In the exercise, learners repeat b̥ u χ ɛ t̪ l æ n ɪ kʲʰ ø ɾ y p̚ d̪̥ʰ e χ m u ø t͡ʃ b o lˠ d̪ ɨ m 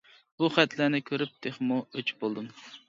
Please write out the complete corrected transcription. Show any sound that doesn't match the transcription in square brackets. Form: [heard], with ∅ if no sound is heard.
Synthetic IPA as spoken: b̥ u χ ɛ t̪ l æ n ɪ kʲʰ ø ɾ y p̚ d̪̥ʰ e χ m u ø t͡ʃ b o lˠ d̪ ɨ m